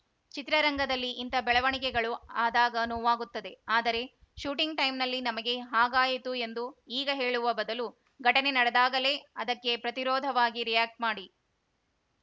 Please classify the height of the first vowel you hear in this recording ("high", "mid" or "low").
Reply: high